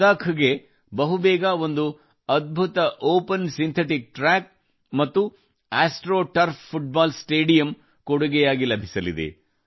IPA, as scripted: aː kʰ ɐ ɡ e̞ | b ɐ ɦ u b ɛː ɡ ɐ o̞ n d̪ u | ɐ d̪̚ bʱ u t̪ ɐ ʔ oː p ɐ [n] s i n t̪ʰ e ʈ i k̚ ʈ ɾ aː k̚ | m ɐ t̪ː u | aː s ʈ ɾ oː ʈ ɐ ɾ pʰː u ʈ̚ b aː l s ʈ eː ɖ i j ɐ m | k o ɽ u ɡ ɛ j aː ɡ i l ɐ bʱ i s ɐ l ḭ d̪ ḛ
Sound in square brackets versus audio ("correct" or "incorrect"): correct